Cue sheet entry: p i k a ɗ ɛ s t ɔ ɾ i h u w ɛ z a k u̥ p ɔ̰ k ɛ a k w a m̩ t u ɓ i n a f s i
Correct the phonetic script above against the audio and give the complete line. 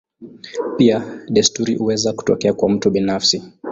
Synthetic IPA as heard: p i a ɗ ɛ s t u ɾ i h u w ɛ z a k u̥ t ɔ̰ k ɛ a k w a m̩ t u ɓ i n a f s i